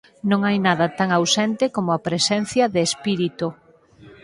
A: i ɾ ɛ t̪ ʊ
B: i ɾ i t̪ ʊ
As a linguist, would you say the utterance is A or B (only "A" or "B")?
B